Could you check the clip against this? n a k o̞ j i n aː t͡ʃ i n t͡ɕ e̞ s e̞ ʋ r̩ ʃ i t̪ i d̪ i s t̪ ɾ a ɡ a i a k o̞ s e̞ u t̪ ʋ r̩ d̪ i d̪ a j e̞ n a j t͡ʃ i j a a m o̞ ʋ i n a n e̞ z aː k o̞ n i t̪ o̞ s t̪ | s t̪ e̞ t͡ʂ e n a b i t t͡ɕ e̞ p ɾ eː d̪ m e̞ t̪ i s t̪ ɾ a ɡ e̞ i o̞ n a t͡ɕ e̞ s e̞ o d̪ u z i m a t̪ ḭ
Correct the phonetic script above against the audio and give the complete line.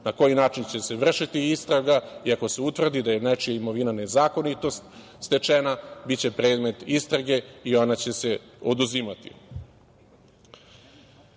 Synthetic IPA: n a k o̞ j i n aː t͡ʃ i n t͡ɕ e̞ s e̞ ʋ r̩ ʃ i t̪ i i s t̪ ɾ a ɡ a i a k o̞ s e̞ u t̪ ʋ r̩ d̪ i d̪ a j e̞ n a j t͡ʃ i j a i m o̞ ʋ i n a n e̞ z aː k o̞ n i t̪ o̞ s t̪ | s t̪ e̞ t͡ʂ e n a b i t t͡ɕ e̞ p ɾ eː d̪ m e̞ t̪ i s t̪ ɾ a ɡ e̞ i o̞ n a t͡ɕ e̞ s e̞ o d̪ u z i m a t̪ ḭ